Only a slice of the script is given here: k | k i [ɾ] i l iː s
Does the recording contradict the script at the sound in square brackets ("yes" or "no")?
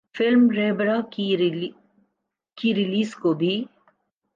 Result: no